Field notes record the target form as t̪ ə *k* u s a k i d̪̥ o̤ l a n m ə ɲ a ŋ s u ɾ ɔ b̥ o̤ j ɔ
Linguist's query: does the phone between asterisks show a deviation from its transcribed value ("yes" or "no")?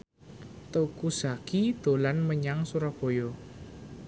no